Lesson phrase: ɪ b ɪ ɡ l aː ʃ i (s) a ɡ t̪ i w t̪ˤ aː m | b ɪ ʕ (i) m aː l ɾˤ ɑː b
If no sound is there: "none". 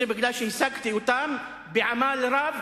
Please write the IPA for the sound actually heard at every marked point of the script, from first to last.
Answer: s, a

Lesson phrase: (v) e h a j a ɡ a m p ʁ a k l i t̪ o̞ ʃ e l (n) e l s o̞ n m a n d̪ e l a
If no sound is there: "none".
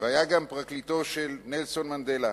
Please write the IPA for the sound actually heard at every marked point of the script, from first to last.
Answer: v, n

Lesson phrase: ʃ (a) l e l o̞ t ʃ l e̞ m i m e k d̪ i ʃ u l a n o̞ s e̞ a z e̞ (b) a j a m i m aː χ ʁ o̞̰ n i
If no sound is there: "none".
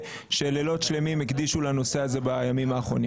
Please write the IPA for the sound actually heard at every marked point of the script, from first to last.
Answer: e, b

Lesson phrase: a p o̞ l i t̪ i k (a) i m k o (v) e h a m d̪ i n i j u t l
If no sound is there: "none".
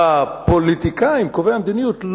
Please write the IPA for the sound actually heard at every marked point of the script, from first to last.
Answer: a, v

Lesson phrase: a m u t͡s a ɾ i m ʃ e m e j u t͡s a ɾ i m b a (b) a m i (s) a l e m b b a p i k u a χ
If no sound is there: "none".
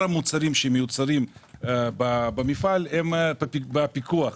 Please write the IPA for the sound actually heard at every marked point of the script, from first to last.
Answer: b, f

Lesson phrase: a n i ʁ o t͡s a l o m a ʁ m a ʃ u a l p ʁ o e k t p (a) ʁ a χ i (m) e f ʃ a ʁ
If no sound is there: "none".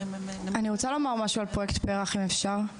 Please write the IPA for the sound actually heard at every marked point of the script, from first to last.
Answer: e, m

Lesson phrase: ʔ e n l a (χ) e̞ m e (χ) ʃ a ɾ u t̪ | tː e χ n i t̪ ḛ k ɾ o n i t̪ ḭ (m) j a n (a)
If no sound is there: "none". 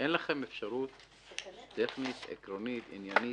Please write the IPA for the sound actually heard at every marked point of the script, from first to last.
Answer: χ, f, n, i

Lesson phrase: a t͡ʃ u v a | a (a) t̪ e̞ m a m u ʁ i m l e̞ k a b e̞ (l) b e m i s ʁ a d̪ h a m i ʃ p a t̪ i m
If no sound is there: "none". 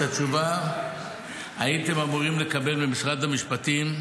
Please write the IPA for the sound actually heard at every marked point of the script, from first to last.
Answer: i, l

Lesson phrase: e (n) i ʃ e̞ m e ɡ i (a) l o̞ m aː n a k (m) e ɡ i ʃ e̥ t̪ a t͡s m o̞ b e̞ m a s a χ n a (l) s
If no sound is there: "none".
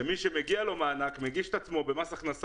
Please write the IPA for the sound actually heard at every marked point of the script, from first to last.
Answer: m, a, m, none

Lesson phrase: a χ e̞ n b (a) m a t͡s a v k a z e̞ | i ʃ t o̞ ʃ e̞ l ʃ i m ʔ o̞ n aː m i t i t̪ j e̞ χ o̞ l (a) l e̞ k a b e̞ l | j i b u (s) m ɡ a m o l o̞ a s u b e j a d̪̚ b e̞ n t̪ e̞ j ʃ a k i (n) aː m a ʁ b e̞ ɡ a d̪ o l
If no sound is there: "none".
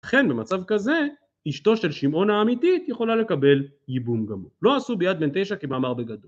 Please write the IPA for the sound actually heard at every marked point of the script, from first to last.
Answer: e, a, none, m

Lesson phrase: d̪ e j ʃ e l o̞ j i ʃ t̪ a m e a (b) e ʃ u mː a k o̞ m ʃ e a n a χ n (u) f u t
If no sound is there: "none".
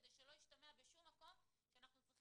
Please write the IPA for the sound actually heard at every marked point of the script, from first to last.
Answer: b, u

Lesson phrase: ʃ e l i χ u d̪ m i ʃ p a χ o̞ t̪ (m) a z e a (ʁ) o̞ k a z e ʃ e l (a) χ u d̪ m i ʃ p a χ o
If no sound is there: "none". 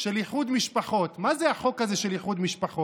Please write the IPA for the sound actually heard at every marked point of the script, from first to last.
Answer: m, χ, i

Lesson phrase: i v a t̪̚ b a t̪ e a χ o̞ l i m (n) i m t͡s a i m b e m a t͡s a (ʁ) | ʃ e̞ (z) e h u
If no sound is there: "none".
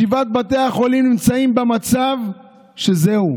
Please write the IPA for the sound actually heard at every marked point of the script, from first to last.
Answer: n, v, z

